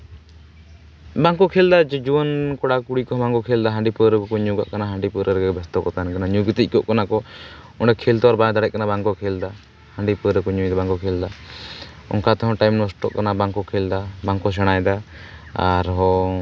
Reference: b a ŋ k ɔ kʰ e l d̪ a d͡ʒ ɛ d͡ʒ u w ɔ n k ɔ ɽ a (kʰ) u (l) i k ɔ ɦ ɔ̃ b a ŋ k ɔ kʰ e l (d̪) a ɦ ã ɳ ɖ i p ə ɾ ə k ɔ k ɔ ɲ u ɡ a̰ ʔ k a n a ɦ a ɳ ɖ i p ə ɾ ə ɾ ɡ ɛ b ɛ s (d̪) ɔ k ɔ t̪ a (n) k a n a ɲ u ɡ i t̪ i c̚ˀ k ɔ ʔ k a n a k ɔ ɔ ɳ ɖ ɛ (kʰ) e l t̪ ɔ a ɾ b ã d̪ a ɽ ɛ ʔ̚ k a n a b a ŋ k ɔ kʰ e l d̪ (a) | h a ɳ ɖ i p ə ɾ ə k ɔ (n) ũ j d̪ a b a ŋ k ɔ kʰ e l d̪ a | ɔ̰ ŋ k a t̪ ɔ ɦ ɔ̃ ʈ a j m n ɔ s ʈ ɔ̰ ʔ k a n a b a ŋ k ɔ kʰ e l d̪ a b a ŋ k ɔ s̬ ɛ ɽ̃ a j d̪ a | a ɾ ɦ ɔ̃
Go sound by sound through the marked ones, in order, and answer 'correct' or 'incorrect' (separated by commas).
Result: incorrect, incorrect, correct, incorrect, correct, correct, correct, incorrect